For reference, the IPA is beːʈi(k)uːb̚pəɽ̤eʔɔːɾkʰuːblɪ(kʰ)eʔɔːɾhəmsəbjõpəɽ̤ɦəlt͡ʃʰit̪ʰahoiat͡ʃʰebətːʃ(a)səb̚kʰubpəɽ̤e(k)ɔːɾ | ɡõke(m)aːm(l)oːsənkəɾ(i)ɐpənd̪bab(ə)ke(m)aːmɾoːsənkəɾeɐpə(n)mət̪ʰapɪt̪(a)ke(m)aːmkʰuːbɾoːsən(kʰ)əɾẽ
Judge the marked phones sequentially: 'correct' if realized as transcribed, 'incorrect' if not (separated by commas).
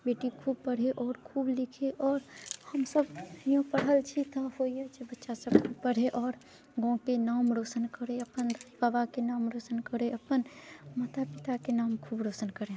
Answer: incorrect, correct, correct, incorrect, incorrect, incorrect, incorrect, incorrect, incorrect, correct, correct, incorrect, incorrect